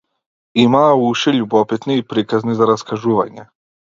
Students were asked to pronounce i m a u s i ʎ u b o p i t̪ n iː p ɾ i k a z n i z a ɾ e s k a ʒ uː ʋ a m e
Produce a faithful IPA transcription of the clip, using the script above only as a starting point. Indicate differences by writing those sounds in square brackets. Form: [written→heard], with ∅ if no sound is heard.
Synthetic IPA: i m a u [s→ʃ] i ʎ u b o p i t̪ n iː p ɾ i k a z n i z a ɾ [e→a] s k a ʒ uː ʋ a [m→ɲ] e